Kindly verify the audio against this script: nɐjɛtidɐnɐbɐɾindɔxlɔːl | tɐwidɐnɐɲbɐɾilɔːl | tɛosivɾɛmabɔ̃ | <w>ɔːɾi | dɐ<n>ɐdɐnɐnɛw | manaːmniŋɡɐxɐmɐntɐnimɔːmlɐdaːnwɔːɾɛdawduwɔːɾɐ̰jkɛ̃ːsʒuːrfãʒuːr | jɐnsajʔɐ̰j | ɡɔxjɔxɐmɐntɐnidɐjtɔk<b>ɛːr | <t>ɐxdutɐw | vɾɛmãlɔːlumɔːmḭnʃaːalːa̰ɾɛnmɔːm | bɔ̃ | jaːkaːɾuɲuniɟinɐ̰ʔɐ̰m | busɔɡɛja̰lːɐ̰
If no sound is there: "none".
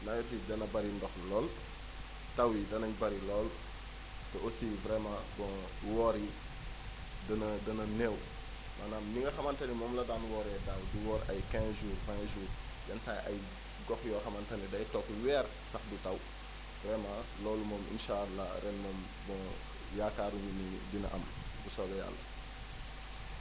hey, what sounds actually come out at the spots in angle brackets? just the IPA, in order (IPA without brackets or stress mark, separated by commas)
w, n, w, s